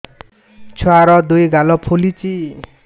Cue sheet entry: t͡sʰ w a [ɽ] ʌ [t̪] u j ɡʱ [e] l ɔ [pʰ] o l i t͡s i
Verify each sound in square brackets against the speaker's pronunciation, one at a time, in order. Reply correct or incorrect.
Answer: incorrect: ɾ, incorrect: d̪, incorrect: a, correct

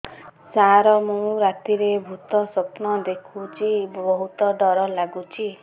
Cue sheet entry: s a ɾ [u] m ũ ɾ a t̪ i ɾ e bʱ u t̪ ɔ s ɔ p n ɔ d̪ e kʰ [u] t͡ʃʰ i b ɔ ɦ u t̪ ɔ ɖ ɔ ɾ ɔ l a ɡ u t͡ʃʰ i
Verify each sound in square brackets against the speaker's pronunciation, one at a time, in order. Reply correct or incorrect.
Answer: incorrect: ɔ, correct

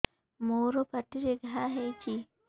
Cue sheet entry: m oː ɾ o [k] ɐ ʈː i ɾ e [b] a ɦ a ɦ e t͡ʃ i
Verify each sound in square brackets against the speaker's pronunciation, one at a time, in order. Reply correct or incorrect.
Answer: incorrect: p, incorrect: ɡ

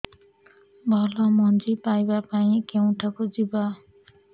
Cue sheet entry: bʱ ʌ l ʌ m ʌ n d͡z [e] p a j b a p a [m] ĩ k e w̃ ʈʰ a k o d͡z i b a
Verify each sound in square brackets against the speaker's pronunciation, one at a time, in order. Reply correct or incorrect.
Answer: incorrect: i, incorrect: none

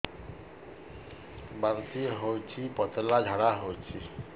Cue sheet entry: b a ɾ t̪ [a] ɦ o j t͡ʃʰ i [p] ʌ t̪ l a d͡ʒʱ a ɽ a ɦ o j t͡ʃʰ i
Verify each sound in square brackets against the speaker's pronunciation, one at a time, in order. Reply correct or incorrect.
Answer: incorrect: i, correct

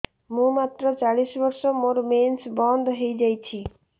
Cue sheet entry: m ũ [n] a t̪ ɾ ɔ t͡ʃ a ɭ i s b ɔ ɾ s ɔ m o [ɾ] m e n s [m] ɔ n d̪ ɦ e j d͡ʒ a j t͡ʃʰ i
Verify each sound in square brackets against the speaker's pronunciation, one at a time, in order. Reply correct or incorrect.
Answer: incorrect: m, correct, incorrect: b

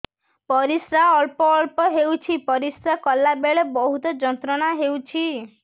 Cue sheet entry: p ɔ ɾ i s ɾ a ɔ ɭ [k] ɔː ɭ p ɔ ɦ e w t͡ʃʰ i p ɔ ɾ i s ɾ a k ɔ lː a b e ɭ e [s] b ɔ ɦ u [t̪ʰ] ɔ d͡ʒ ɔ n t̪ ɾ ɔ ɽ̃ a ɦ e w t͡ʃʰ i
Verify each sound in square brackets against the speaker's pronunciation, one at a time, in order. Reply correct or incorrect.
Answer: incorrect: p, incorrect: none, incorrect: t̪

